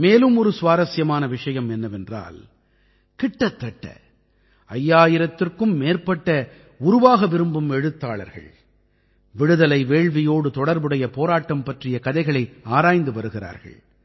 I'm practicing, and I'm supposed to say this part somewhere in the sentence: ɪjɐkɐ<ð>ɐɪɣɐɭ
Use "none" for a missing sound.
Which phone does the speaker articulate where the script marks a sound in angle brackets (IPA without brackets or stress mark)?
ð